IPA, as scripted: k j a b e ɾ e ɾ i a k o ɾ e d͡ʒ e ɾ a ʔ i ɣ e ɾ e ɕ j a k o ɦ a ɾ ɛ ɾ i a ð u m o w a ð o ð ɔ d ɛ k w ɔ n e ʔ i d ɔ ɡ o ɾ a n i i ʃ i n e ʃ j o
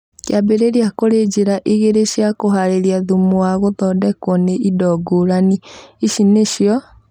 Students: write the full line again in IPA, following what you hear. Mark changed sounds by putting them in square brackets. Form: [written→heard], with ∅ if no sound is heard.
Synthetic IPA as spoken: k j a b e ɾ e ɾ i a k o ɾ e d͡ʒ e ɾ a ʔ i ɣ e ɾ e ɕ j a k o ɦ a ɾ [ɛ→e] ɾ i a ð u m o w a [ð→ɣ] o ð ɔ d ɛ k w ɔ n e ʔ i d ɔ ɡ o ɾ a n i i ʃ i n e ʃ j [o→ɔ]